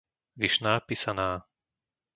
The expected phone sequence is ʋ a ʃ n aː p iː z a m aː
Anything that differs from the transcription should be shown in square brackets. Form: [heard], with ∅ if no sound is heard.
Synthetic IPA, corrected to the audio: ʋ [i] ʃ n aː p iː [s] a [n] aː